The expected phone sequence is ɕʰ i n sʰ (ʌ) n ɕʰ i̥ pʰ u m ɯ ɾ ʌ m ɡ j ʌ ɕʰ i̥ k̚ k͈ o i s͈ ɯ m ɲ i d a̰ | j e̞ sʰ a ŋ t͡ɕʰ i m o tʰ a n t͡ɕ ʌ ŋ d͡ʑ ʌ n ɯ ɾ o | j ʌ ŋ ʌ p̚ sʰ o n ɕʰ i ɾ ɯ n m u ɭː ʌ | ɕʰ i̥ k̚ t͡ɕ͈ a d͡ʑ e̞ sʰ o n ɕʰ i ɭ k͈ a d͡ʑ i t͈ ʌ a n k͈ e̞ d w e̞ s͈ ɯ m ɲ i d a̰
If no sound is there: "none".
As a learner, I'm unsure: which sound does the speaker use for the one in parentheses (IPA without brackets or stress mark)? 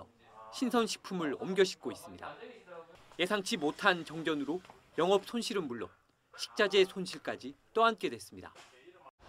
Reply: ʌ